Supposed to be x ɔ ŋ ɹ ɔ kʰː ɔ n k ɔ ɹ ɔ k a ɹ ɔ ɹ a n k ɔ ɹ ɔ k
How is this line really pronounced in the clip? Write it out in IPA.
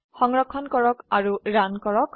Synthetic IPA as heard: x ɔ ŋ ɹ ɔ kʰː ɔ n k ɔ ɹ ɔ k a ɹ u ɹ a n k ɔ ɹ ɔ k